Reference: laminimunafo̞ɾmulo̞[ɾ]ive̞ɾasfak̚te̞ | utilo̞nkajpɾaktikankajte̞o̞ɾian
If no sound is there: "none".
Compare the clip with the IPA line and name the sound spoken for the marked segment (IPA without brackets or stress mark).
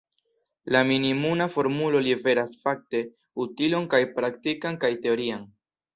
l